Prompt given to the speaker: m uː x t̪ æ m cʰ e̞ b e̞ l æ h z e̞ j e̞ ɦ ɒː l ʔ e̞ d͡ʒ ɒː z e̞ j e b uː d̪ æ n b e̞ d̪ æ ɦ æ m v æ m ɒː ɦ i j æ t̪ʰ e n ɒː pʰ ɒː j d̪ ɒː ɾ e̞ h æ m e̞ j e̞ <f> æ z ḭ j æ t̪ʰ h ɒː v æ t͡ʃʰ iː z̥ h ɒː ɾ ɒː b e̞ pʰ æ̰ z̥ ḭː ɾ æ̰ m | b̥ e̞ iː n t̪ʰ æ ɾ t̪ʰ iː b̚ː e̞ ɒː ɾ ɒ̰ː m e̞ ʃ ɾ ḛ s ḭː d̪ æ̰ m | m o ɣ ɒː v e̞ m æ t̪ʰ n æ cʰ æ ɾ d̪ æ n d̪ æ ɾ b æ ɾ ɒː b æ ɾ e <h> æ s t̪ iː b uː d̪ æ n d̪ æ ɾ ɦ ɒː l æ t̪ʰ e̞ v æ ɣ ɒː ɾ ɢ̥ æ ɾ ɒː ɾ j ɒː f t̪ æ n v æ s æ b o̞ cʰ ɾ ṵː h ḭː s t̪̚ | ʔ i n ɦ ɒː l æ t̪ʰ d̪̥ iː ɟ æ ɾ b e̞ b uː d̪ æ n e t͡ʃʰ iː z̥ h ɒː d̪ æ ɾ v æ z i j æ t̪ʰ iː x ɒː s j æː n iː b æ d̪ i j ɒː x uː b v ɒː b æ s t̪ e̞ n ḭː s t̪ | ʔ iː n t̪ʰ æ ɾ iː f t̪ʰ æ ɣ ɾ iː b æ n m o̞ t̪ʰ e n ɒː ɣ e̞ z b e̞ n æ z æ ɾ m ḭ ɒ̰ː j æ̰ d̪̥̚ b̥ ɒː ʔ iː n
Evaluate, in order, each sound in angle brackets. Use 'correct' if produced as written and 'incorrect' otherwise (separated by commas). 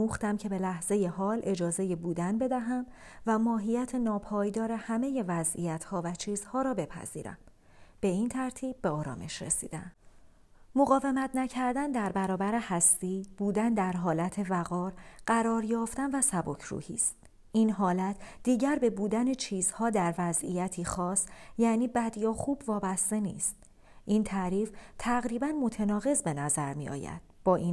incorrect, correct